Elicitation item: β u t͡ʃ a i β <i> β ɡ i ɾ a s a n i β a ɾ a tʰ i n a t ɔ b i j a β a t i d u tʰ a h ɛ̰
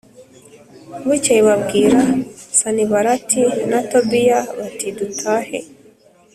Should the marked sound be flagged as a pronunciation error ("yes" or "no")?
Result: yes